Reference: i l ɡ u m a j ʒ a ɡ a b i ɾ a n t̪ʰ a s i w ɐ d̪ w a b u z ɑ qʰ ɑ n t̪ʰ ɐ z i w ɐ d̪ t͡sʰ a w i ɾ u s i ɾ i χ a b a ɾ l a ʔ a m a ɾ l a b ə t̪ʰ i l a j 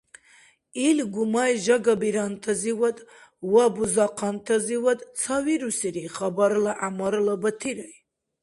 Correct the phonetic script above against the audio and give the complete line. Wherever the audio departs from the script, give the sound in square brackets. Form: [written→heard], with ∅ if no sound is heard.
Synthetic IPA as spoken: i l ɡ u m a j ʒ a ɡ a b i ɾ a n t̪ʰ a [s→z] i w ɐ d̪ w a b u z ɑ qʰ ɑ n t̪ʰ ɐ z i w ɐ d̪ t͡sʰ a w i ɾ u s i ɾ i χ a b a ɾ l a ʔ a m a ɾ l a b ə t̪ʰ i [l→ɾ] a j